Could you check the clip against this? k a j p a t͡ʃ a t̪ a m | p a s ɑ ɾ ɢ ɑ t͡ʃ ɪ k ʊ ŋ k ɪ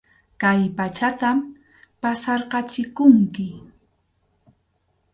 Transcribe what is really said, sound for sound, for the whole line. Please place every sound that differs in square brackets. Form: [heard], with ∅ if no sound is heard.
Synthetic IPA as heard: k a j p a t͡ʃ a t̪ a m | p a s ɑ ɾ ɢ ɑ t͡ʃ ɪ k ʊ ŋ k ɪ